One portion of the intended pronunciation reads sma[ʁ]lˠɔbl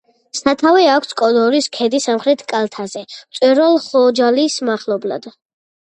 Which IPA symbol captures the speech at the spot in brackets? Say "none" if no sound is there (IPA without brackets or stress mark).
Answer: χ